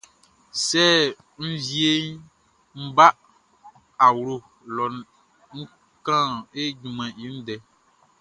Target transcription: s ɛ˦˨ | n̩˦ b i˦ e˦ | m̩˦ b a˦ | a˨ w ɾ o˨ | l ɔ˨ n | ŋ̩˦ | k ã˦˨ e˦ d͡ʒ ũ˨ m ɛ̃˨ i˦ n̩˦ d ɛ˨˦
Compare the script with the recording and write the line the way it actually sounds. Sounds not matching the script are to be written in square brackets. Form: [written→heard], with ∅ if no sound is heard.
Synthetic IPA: s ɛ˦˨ | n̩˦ [b→v] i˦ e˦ | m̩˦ b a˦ | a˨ w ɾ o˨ | l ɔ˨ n | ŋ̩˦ | k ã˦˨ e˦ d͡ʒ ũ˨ m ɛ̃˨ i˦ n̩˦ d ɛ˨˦